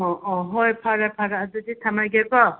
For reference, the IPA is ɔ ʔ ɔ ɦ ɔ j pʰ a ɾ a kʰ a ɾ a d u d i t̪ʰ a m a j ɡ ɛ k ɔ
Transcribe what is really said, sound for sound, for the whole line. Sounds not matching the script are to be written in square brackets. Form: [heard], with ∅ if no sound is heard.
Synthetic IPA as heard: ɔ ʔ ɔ ɦ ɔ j pʰ a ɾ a [pʰ] a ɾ a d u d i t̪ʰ a m a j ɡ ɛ k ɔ